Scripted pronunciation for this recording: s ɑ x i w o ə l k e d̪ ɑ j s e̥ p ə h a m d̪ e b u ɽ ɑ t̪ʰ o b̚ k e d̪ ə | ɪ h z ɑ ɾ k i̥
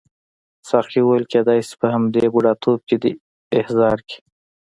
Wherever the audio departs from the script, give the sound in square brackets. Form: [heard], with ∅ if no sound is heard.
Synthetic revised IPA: s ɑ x i w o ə l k e d̪ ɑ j s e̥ p ə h a m d̪ e b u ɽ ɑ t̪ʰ o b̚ k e d̪ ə | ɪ h z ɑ ɾ k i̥

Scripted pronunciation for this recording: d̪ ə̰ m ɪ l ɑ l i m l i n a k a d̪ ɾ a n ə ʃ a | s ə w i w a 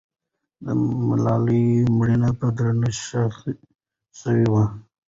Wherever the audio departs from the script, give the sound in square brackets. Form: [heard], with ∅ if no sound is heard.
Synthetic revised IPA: d̪ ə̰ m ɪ l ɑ l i m [ɽ] i n a [p] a d̪ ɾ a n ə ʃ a | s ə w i w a

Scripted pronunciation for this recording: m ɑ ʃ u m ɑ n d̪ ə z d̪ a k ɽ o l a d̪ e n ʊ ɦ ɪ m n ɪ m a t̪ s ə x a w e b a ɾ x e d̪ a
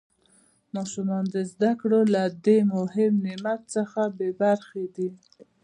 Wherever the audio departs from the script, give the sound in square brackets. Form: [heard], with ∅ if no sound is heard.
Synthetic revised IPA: m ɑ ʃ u m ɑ n d̪ ə z d̪ a k ɽ o l a d̪ e [m] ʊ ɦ ɪ m n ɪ m a t̪ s ə x a [b] e b a ɾ x e d̪ [i]

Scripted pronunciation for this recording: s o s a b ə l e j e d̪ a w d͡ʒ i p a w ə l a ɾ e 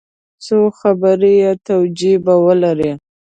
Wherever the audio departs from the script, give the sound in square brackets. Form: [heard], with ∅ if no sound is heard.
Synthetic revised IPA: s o [x] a b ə [ɾ] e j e [t̪] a w d͡ʒ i [b] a w ə l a ɾ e

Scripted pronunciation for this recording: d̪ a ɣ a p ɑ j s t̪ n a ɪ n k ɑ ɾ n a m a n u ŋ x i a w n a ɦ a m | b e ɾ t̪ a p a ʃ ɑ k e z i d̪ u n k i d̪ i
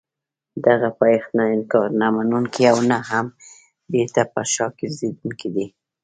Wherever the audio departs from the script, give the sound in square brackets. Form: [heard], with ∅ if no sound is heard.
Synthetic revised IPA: d̪ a ɣ a p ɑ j [x] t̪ n a ɪ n k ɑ ɾ n a m a n u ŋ [k] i a w n a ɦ a m | b e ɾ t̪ a p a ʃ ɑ k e z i d̪ u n k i d̪ i

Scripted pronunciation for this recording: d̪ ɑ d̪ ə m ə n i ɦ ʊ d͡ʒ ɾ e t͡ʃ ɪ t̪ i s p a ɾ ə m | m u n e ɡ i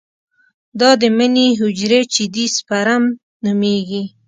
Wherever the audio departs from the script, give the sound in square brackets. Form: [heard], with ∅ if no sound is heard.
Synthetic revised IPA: d̪ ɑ d̪ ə m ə n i ɦ ʊ d͡ʒ ɾ e t͡ʃ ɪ [d̪] i s p a ɾ [a] m | [n] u [m] e ɡ i

